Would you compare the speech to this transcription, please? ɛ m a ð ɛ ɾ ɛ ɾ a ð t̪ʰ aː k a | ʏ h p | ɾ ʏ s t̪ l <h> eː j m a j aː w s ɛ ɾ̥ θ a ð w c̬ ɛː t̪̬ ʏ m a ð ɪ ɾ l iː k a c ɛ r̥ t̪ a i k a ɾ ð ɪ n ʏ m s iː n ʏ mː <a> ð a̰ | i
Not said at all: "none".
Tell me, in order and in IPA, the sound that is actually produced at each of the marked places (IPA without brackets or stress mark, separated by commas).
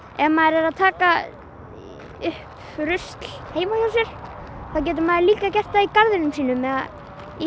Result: h, ɛ